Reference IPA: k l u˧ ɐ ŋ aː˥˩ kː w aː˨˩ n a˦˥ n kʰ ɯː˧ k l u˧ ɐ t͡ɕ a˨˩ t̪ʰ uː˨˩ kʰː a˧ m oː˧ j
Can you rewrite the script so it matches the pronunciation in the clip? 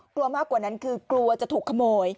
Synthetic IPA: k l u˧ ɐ m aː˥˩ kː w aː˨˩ n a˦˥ n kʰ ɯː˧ k l u˧ ɐ t͡ɕ a˨˩ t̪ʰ uː˨˩ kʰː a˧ m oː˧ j